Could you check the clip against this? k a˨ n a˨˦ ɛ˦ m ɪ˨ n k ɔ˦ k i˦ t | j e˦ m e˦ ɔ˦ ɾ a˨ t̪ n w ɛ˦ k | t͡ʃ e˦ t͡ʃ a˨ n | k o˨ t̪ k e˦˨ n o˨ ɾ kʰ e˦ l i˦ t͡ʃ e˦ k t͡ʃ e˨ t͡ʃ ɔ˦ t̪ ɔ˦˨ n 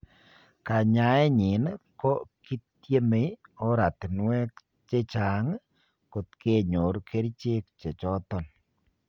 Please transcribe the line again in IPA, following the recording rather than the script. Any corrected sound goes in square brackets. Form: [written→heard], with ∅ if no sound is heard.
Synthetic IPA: k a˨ [n→ɲ] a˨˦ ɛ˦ [m→ɲ] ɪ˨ n k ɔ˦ k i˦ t | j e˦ m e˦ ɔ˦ ɾ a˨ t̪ n w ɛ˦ k | t͡ʃ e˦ t͡ʃ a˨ [n→ŋ] | k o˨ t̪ k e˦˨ [n→ɲ] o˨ ɾ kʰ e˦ [l→ɾ] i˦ t͡ʃ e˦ k t͡ʃ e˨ t͡ʃ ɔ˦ t̪ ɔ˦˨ n